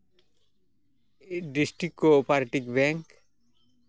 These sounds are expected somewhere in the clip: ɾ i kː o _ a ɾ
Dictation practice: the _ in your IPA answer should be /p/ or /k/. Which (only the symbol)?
p